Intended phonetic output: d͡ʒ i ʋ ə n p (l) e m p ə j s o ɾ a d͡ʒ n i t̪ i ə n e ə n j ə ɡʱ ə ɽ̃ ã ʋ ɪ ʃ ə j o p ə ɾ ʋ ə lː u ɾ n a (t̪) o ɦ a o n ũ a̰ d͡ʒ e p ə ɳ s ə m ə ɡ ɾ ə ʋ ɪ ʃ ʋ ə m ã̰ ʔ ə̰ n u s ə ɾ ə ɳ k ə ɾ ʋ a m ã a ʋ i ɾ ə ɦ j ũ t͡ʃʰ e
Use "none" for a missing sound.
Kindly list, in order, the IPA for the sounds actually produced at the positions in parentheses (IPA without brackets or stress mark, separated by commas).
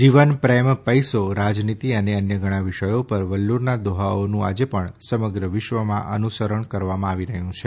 ɾ, d̪